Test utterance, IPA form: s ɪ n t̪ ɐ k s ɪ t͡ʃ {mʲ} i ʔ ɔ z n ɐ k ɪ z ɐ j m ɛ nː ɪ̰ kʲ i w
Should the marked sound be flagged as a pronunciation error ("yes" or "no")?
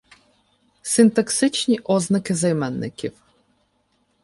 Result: yes